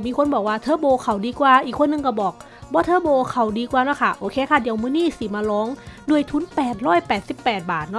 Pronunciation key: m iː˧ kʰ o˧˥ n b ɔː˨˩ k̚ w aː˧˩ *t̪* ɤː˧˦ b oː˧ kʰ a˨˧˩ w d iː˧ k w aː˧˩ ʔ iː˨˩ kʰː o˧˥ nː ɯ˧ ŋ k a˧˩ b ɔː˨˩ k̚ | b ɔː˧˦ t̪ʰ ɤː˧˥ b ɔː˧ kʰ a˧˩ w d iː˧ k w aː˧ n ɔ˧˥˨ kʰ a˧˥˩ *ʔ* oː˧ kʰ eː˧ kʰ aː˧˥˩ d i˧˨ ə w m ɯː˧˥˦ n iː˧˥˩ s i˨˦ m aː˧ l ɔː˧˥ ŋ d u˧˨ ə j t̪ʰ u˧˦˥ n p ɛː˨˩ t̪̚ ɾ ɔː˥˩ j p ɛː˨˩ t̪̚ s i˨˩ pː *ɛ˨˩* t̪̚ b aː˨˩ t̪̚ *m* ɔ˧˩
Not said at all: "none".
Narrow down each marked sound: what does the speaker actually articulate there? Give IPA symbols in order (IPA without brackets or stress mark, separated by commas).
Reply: t̪ʰ, ʔ, ɛː˨˩, n